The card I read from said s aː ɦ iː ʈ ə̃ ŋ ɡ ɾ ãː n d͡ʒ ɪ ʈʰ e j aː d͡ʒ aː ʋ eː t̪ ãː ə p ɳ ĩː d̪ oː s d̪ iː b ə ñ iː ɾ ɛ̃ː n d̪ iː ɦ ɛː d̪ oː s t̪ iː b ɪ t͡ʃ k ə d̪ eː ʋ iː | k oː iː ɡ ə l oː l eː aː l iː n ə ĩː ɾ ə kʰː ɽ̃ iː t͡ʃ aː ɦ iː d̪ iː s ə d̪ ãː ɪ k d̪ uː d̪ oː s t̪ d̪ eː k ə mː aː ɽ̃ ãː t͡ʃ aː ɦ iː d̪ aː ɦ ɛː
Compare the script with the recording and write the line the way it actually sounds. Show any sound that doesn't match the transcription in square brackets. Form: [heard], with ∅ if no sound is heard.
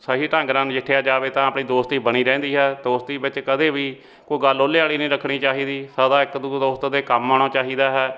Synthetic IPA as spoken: s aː ɦ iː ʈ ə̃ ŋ ɡ ɾ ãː n d͡ʒ ɪ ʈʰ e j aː d͡ʒ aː ʋ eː t̪ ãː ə p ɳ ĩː d̪ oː s [t̪] iː b ə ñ iː ɾ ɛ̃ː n d̪ iː ɦ ɛː d̪ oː s t̪ iː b ɪ t͡ʃ k ə d̪ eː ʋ iː | k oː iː ɡ ə l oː l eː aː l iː n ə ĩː ɾ ə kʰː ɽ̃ iː t͡ʃ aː ɦ iː d̪ iː s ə d̪ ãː ɪ k d̪ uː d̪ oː s t̪ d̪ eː k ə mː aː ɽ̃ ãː t͡ʃ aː ɦ iː d̪ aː ɦ ɛː